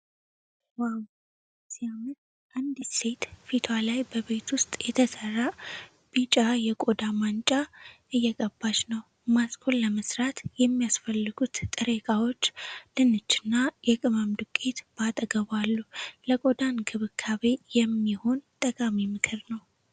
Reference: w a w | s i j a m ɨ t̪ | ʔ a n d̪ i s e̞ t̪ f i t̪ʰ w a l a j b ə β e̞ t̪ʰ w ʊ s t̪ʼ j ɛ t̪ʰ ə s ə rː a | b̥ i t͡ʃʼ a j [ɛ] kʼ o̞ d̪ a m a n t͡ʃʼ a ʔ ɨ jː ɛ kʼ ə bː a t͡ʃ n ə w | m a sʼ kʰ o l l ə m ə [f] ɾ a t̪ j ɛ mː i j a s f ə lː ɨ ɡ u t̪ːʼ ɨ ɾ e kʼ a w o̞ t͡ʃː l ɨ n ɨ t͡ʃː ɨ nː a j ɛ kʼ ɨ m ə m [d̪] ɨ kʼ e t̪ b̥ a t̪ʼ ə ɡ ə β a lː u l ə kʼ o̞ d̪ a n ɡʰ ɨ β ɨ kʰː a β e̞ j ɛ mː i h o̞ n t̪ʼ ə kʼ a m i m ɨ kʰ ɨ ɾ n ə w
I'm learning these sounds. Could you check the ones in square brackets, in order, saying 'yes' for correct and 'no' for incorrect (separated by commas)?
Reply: yes, no, yes